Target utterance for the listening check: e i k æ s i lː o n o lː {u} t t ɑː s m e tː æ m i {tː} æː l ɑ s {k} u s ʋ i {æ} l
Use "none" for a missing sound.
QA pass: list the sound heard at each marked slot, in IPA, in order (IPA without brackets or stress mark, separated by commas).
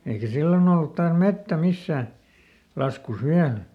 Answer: u, sː, k, æ